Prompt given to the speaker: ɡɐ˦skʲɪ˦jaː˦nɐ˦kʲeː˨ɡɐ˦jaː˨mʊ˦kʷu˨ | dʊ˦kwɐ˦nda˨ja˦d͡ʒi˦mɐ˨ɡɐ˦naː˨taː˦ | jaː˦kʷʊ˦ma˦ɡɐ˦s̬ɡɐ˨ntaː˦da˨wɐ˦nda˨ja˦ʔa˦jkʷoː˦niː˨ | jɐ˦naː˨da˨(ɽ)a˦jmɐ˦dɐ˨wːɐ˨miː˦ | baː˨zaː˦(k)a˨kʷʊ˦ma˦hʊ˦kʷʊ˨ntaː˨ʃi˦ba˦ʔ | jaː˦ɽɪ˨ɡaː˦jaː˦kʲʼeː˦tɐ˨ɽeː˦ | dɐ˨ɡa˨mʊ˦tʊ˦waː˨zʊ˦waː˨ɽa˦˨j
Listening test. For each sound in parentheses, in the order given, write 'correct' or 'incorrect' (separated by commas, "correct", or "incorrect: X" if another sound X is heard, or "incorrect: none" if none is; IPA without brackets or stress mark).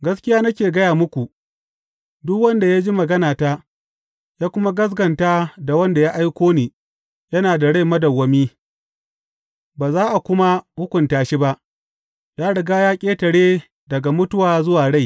correct, incorrect: ʔ